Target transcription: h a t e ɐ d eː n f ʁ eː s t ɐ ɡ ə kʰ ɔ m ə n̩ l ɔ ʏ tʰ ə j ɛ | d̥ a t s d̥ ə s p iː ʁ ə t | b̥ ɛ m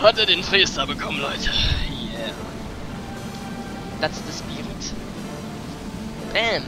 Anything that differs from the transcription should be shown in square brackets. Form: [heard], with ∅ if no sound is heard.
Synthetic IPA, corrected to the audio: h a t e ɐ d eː n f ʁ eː s t ɐ [b] ə kʰ ɔ m ə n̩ l ɔ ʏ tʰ ə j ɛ | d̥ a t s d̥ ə s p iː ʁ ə t | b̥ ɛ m